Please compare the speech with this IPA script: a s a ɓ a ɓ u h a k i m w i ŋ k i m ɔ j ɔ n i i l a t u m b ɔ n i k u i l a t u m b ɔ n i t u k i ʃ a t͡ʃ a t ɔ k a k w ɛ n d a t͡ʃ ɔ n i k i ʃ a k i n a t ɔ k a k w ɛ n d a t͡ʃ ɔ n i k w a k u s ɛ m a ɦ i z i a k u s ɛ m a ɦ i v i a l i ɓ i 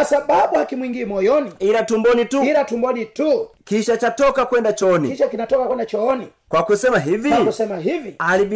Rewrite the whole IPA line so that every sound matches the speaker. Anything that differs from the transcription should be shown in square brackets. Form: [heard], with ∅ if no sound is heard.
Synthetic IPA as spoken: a s a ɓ a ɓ u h a k i m w i ŋ [ɡ] i m ɔ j ɔ n i i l a t u m b ɔ n i [t] u i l a t u m b ɔ n i t u k i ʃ a t͡ʃ a t ɔ k a k w ɛ n d a t͡ʃ ɔ n i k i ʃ a k i n a t ɔ k a k w ɛ n d a t͡ʃ ɔ n i k w a k u s ɛ m a ɦ i [v] i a k u s ɛ m a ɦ i v i a l i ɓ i